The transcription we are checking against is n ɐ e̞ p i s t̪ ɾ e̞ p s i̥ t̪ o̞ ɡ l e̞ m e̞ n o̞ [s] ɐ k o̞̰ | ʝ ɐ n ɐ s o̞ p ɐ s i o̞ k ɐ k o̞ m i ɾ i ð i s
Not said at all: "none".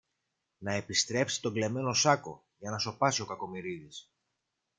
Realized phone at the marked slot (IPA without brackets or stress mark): s